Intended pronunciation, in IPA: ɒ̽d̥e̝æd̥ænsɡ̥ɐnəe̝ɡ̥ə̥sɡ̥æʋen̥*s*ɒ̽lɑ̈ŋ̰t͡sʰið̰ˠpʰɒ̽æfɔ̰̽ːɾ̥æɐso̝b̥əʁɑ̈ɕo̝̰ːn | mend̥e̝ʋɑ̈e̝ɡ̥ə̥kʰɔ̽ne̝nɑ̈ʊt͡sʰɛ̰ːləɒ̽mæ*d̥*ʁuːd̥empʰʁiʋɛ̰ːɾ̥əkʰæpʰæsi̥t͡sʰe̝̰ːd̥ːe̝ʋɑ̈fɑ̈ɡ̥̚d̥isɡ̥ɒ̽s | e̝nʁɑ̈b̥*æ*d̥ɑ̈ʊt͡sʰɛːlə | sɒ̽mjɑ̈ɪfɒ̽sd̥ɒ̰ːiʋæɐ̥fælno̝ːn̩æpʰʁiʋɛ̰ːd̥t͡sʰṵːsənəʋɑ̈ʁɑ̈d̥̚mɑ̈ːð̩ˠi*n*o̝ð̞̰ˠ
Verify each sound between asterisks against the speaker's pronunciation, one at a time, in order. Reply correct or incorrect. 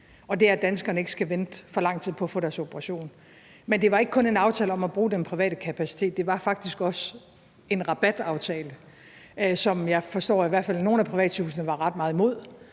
incorrect: f, incorrect: b̥, correct, incorrect: m

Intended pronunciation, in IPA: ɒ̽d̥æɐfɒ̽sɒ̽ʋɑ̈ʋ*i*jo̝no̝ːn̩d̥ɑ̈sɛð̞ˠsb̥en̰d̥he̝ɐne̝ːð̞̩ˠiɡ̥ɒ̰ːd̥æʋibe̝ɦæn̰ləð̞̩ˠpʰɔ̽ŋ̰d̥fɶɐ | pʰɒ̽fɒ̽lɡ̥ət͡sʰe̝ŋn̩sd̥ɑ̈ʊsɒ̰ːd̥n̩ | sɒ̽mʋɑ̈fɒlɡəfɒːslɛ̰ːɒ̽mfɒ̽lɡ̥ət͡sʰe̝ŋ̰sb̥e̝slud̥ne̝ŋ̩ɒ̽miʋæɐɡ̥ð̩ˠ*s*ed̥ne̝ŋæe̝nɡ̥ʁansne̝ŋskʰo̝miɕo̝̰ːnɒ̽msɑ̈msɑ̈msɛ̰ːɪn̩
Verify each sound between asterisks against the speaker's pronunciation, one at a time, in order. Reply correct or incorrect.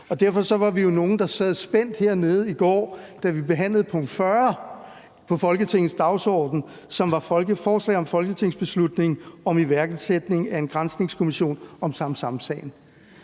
correct, correct

